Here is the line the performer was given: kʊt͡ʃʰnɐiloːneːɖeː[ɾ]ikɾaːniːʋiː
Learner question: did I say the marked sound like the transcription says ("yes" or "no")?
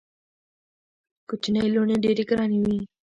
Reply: yes